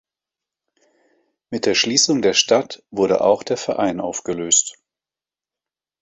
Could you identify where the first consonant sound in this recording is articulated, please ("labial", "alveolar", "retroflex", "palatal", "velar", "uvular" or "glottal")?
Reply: labial